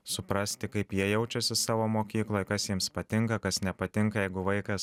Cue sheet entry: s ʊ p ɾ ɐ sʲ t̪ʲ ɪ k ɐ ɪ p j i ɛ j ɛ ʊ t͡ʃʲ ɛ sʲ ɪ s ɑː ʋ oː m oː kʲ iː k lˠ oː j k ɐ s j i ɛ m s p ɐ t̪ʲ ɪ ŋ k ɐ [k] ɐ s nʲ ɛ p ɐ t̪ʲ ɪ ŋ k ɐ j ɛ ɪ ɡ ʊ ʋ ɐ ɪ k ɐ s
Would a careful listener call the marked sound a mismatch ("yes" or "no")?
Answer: no